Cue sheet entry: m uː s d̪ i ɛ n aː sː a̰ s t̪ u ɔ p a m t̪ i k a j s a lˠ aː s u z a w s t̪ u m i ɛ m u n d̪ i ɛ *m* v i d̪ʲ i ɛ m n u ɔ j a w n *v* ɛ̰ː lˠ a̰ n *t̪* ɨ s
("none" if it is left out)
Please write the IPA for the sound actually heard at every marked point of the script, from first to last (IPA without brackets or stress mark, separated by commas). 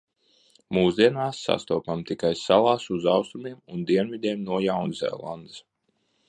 n, z, d̪